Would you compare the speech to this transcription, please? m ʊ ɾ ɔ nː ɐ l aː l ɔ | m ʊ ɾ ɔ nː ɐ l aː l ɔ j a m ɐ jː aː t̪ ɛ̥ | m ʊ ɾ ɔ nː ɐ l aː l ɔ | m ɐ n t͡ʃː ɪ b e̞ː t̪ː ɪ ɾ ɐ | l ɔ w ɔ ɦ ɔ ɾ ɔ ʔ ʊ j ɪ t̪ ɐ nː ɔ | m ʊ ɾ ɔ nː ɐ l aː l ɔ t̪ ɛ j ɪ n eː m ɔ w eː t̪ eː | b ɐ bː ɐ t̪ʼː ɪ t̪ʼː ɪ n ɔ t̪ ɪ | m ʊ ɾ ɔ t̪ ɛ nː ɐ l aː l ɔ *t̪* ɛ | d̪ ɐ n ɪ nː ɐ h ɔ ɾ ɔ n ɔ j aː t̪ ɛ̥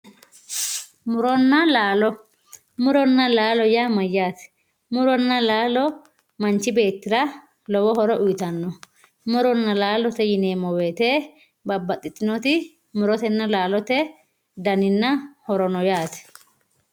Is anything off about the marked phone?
no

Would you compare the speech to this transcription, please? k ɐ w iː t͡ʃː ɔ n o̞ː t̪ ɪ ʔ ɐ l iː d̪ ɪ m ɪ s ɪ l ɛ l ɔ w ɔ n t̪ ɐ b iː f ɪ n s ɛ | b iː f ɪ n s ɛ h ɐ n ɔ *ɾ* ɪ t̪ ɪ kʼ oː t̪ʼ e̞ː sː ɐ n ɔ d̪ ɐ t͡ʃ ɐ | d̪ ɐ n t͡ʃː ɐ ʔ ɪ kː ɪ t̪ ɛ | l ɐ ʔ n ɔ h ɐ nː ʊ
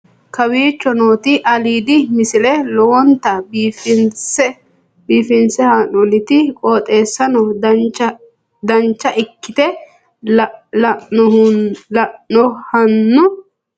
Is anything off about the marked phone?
yes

